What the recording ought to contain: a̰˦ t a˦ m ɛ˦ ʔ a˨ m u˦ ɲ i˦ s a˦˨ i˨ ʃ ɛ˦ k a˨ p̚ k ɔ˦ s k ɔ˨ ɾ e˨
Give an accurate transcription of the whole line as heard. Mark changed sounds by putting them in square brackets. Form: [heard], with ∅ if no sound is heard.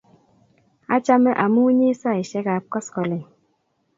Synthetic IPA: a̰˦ [t͡ʃ] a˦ m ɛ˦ ʔ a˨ m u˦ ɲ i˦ s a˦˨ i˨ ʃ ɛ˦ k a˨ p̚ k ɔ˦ s k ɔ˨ [l] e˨